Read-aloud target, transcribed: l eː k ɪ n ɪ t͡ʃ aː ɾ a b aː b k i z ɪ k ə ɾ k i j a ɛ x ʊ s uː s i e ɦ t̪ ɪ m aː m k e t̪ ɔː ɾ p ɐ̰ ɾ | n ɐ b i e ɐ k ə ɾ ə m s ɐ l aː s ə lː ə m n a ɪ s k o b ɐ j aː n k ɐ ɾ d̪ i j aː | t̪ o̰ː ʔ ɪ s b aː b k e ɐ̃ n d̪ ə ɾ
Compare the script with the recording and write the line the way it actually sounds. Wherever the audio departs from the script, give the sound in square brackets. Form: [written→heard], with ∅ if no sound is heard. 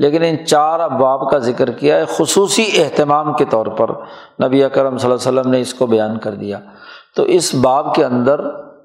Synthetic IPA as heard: l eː k ɪ n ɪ t͡ʃ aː ɾ a b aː b k [i→a] z ɪ k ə ɾ k i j a ɛ x ʊ s uː s i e ɦ t̪ ɪ m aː m k e t̪ ɔː ɾ p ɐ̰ ɾ | n ɐ b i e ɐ k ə ɾ ə m s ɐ l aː s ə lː ə m n [a→e] ɪ s k o b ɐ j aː n k ɐ ɾ d̪ i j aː | t̪ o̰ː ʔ ɪ s b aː b k e ɐ̃ n d̪ ə ɾ